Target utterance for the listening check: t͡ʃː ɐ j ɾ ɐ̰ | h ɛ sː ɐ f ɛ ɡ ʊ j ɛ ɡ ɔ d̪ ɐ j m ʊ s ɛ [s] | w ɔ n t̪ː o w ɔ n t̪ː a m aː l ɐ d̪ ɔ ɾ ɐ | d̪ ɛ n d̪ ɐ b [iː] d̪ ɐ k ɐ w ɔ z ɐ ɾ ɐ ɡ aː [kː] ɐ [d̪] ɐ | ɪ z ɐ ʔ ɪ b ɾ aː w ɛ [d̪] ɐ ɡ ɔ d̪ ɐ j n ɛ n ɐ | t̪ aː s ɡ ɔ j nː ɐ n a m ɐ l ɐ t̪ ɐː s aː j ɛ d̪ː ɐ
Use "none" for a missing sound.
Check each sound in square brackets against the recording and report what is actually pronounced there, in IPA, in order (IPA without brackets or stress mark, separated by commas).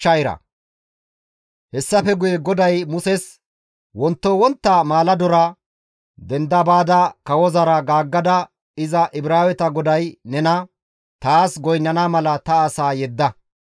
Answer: s, aː, ɡː, d̪, t̪